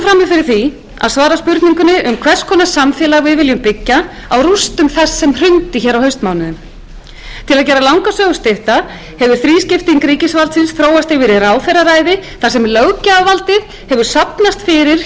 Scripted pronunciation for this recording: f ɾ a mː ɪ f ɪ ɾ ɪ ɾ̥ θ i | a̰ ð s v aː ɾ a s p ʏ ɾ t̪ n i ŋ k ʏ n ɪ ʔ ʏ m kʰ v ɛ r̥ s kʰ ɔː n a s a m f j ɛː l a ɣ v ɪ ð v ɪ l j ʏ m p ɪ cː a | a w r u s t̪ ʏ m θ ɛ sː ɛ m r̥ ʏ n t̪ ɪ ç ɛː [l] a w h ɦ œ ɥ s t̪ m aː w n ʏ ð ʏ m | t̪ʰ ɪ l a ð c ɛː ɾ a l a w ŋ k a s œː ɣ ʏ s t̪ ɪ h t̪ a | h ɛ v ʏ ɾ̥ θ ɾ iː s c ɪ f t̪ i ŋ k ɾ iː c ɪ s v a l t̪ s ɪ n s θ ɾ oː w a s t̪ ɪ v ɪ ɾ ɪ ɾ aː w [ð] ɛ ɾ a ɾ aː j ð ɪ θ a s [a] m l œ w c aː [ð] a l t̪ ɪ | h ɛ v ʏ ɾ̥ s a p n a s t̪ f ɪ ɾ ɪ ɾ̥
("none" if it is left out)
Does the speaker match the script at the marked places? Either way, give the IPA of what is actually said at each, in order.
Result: ɾ, θ, ɛ, v

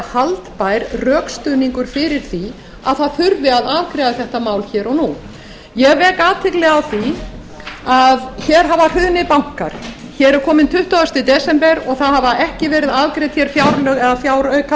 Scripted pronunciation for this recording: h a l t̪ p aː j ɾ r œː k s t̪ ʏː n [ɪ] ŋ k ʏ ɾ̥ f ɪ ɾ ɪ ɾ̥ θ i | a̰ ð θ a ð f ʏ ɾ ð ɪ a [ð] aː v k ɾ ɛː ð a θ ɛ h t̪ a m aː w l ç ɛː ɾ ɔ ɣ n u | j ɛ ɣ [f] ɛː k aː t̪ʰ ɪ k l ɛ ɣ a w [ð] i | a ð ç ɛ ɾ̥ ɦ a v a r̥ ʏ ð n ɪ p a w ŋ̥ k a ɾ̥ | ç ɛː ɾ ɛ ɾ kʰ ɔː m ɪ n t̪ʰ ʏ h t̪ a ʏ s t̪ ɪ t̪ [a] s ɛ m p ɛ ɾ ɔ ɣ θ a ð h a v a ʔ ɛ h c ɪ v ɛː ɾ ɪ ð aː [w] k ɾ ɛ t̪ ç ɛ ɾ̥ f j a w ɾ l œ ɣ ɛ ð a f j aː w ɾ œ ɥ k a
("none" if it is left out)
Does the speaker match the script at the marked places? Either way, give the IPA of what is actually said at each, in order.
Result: i, ð, v, θ, ɛ, v

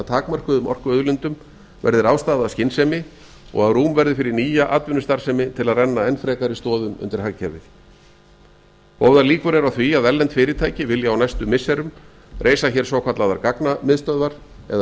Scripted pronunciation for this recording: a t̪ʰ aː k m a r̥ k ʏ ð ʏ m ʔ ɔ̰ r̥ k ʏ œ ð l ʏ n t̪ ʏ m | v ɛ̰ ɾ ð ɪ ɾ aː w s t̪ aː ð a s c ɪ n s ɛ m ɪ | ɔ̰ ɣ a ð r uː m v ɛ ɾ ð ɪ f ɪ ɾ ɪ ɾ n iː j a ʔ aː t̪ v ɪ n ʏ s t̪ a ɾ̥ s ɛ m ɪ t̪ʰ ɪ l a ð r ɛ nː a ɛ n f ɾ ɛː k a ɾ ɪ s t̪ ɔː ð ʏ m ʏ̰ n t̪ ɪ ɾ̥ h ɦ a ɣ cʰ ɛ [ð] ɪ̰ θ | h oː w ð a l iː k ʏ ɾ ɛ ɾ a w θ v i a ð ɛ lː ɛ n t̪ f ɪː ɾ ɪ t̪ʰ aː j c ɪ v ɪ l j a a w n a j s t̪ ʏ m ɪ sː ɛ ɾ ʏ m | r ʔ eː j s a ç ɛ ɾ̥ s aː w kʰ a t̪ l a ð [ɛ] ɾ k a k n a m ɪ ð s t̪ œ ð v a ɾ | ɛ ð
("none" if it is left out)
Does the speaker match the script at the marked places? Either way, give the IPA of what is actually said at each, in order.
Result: v, a

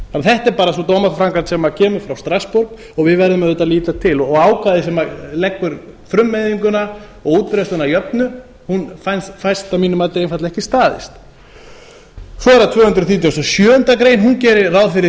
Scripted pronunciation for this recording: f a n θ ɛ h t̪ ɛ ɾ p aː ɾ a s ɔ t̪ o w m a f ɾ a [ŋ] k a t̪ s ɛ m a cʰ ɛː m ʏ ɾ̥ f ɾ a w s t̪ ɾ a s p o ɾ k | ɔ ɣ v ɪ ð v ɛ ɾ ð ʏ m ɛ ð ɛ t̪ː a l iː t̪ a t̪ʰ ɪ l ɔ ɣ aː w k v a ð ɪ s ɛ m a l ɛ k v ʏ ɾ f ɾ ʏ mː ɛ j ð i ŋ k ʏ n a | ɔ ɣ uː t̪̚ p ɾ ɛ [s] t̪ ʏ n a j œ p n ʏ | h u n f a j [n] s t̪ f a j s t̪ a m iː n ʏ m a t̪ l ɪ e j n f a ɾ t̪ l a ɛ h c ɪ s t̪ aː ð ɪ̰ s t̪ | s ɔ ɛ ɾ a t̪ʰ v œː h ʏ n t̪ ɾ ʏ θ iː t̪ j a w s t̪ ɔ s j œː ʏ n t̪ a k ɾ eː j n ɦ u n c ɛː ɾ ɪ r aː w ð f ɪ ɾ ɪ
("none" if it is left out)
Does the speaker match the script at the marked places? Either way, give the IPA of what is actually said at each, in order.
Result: ŋ, s, n

